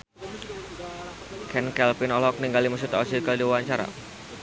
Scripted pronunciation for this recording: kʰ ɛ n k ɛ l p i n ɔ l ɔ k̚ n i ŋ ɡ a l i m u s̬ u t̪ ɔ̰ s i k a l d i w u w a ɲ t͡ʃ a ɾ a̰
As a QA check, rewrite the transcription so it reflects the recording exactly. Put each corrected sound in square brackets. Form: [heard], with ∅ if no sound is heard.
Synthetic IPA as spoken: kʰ ɛ n k ɛ l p i n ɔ l ɔ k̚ n i ŋ ɡ a l i m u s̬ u t̪ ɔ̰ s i k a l d i w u w a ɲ t͡ʃ a ɾ a̰